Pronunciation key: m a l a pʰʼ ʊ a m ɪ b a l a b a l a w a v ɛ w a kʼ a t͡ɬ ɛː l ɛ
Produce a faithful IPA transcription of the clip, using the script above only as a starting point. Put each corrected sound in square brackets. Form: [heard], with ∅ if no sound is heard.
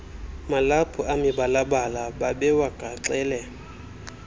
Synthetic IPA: m a l a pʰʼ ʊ a m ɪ b a l a b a l a [b] a [b] ɛ w a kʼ a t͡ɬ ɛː l ɛ